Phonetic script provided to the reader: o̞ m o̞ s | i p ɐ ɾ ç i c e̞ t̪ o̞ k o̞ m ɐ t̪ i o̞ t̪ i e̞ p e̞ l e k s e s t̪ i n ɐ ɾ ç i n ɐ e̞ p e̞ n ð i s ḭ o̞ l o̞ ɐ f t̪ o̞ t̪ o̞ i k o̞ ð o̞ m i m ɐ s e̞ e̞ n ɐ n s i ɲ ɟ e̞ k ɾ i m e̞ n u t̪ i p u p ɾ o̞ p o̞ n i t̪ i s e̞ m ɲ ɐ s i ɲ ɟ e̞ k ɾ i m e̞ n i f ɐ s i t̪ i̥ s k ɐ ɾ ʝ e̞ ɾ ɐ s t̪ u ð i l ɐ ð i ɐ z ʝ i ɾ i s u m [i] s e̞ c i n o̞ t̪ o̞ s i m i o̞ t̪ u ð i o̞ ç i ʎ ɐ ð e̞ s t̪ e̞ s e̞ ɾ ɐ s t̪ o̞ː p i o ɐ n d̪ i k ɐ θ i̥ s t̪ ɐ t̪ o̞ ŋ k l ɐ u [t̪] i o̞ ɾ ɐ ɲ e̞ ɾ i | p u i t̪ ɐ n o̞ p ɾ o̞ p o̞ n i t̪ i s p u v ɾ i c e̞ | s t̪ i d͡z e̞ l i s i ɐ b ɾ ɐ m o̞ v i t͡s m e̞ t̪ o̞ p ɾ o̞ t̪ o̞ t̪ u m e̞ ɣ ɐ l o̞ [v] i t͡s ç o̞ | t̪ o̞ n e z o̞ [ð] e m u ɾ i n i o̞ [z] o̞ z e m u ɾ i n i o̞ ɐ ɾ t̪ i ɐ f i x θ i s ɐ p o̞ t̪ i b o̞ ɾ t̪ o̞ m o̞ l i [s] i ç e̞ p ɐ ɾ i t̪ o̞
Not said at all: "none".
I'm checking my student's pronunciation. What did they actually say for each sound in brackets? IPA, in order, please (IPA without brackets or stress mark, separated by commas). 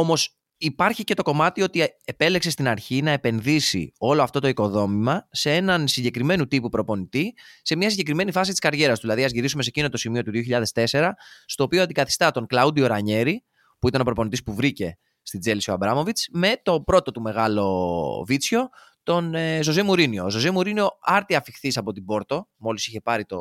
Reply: e, d̪, v, z, z, s